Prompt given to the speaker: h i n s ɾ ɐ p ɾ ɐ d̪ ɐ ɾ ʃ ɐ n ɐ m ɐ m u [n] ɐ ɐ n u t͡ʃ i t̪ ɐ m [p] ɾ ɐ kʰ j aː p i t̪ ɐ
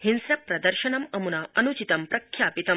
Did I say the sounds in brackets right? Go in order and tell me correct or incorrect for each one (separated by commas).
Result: correct, correct